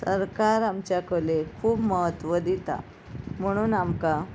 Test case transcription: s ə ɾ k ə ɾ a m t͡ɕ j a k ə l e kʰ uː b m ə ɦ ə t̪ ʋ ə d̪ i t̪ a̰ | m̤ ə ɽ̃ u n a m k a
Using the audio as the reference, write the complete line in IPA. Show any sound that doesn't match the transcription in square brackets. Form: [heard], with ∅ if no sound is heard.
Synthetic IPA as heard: s ə ɾ k [a] ɾ a m t͡ɕ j a k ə l e kʰ uː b m ə ɦ ə t̪ ʋ ə d̪ i t̪ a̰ | m̤ ə ɽ̃ [uː] n a m k a